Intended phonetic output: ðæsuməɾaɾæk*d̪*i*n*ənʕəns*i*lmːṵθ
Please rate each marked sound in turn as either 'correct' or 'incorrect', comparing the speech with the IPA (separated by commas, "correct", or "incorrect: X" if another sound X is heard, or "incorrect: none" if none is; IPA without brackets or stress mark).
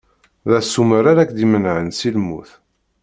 correct, incorrect: m, correct